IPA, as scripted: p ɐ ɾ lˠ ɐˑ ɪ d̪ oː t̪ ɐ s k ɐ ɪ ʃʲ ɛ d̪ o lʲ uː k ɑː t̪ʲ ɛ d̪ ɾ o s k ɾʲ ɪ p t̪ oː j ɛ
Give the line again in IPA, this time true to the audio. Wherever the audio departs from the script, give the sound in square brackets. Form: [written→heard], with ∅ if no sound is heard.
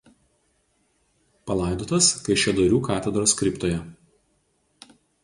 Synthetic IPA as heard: p ɐ [ɾ→∅] lˠ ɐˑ ɪ d̪ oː t̪ ɐ s k ɐ ɪ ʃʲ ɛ d̪ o [lʲ→ɾʲ] uː k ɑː t̪ʲ ɛ d̪ ɾ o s k ɾʲ ɪ p t̪ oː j ɛ